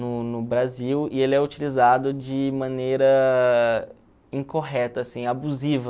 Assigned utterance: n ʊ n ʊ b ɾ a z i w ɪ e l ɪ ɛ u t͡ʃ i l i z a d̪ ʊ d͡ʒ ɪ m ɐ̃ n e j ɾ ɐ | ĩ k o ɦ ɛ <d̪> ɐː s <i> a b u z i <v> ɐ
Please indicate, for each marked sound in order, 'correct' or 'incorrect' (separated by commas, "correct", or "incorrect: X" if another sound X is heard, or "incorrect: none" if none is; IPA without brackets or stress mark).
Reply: incorrect: t̪, incorrect: ĩ, correct